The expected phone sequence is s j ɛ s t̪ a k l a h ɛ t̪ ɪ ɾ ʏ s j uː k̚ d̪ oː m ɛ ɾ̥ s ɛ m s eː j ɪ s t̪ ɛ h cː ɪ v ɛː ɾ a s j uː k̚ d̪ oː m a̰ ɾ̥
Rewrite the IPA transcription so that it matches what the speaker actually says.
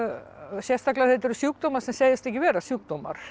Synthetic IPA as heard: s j ɛ s t̪ a k l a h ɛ t̪ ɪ ɾ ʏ s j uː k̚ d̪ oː m a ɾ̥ s ɛ m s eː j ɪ s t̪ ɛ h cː ɪ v ɛː ɾ a s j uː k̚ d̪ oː m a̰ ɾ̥